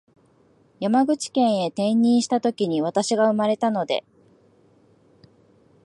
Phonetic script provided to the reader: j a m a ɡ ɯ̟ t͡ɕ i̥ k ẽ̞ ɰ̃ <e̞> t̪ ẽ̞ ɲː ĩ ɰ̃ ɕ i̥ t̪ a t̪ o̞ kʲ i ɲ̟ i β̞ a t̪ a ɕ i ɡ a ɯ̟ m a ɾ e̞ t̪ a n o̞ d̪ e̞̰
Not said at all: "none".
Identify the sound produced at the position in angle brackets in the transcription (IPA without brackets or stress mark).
e̞